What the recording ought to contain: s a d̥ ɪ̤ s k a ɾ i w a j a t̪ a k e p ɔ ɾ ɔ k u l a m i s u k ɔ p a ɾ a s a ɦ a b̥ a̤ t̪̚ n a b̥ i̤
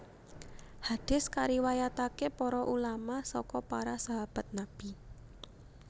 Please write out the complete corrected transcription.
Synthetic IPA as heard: h a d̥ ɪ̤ s k a ɾ i w a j a t̪ a k e p ɔ ɾ ɔ ʔ u l a m a s ɔ k ɔ p a ɾ a s a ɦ a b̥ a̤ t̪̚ n a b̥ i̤